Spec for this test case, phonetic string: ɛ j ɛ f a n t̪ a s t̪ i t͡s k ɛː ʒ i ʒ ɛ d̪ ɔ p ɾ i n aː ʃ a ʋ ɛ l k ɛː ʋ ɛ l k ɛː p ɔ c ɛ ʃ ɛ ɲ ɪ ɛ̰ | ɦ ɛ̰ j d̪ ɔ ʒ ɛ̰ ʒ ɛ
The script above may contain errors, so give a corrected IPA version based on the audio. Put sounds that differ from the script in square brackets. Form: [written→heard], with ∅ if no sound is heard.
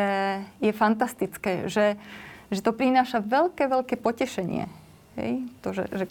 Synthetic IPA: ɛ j ɛ f a n t̪ a s t̪ i t͡s k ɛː ʒ [i→ɛ] ʒ ɛ [d̪→t̪] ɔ p ɾ i n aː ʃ a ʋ ɛ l k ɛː ʋ ɛ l k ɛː p ɔ c ɛ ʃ ɛ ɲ ɪ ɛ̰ | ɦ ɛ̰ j [d̪→t̪] ɔ ʒ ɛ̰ ʒ ɛ